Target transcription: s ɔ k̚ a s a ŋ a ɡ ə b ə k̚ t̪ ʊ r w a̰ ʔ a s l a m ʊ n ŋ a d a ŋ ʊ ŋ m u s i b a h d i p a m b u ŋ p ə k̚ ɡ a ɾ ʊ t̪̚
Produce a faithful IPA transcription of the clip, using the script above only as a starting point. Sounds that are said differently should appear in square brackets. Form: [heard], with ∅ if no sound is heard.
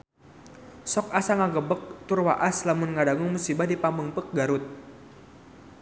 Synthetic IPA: s ɔ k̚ a s a ŋ a ɡ ə b ə k̚ t̪ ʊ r w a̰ ʔ a s l a m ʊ n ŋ a d a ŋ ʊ ŋ m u s i b a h d i p a m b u ŋ p ə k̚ ɡ a ɾ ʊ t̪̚